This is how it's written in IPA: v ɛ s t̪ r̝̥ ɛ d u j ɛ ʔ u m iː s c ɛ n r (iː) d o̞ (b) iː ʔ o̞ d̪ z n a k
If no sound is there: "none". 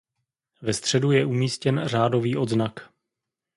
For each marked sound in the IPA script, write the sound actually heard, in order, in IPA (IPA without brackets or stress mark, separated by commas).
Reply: aː, v